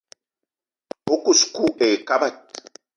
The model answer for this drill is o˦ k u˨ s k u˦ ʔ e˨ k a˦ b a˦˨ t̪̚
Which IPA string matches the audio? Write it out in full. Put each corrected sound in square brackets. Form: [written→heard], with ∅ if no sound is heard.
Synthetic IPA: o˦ k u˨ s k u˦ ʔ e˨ k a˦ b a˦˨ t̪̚